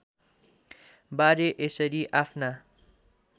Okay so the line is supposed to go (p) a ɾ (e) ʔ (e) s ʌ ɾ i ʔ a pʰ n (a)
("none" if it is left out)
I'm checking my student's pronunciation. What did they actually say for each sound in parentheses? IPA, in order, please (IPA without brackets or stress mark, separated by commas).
b, e, e, a